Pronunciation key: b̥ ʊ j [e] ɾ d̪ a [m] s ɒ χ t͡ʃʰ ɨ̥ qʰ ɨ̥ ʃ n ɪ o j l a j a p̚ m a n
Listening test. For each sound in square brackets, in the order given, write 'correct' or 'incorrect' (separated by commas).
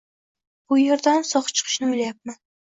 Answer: correct, incorrect